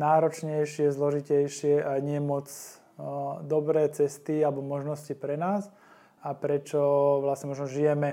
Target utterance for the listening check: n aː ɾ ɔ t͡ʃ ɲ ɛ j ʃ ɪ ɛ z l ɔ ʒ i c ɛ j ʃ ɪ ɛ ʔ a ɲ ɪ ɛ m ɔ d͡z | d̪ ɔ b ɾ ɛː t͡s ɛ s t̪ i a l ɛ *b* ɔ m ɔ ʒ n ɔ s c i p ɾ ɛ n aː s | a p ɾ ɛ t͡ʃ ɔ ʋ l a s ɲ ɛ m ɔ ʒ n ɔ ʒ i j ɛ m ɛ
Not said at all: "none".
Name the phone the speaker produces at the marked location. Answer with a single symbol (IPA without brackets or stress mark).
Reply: b